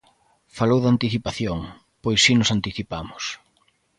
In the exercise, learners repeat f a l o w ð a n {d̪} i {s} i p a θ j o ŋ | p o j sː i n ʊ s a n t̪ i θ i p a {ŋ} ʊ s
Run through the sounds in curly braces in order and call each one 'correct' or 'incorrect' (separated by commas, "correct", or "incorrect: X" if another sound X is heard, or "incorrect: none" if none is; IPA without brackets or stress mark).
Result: incorrect: t̪, incorrect: θ, incorrect: m